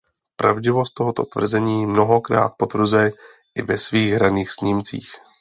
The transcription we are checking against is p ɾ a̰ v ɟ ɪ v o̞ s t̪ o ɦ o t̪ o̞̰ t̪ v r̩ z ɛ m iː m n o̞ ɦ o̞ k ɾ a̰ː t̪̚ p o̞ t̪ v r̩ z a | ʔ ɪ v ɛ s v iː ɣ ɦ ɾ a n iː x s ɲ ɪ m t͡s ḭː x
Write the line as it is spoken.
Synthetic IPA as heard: p ɾ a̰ v ɟ ɪ v o̞ s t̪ o ɦ o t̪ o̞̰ t̪ v r̩ z ɛ ɲ iː m n o̞ ɦ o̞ k ɾ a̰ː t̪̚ p o̞ t̪ v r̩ z ɛ | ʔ ɪ v ɛ s v iː ɣ ɦ ɾ a n iː x s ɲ ɪ m t͡s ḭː x